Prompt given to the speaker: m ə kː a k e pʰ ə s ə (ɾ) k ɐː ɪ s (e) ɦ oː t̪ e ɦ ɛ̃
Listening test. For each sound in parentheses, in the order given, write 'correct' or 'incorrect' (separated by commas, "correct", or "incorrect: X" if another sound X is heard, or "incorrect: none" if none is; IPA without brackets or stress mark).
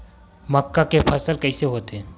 incorrect: l, correct